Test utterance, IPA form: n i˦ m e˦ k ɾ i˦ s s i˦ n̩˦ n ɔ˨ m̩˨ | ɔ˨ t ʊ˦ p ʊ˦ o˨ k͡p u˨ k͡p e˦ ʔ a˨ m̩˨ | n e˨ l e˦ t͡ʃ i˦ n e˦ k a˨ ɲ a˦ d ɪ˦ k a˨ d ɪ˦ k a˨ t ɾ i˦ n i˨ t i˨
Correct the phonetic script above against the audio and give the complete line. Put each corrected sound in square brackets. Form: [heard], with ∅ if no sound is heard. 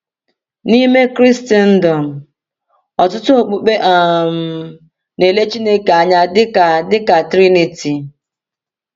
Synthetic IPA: n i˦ m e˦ k ɾ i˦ s [t] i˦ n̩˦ [d] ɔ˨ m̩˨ | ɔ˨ t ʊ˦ [t] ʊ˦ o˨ k͡p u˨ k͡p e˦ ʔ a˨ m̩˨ | n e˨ l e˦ t͡ʃ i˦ n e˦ k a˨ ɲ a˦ d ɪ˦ k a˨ d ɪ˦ k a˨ t ɾ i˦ n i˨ t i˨